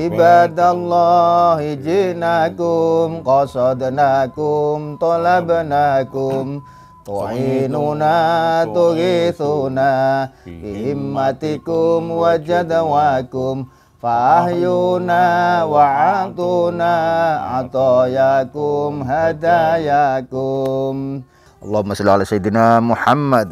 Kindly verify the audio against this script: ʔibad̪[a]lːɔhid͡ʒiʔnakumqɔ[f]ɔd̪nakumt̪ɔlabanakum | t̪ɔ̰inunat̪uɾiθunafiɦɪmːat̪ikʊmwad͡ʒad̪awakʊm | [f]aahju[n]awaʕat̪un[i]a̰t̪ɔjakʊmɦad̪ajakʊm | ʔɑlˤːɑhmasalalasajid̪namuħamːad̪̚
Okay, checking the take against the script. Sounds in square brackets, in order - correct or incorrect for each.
correct, incorrect: s, correct, correct, incorrect: a

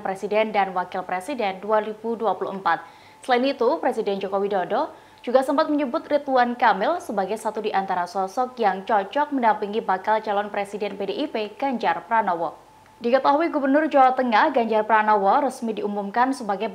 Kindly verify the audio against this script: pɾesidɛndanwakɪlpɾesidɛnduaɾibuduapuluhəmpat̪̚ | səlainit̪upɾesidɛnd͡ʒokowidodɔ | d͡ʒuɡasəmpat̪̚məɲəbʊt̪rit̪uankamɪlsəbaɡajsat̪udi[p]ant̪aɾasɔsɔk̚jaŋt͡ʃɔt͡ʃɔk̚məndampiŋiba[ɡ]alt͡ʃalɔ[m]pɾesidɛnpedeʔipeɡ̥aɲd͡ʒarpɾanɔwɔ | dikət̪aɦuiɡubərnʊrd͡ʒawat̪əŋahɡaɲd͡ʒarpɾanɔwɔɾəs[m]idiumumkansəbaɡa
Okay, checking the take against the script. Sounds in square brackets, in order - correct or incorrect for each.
incorrect: ʔ, incorrect: k, incorrect: n, correct

